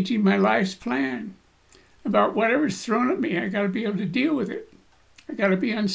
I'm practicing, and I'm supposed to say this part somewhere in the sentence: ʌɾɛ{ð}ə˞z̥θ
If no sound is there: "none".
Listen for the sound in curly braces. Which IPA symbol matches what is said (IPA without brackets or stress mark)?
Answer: v